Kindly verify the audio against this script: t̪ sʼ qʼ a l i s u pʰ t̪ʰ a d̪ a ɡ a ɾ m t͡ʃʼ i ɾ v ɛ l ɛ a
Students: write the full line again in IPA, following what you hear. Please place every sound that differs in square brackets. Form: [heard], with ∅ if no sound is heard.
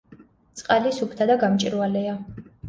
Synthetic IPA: t̪ sʼ qʼ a l i s u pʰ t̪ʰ a d̪ a ɡ a [∅] m t͡ʃʼ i ɾ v [a] l ɛ a